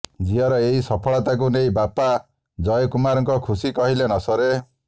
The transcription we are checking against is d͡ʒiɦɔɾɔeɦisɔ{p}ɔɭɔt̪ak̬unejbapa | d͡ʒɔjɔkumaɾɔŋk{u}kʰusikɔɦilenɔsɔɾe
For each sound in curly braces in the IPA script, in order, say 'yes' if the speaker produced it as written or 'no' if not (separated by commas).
no, no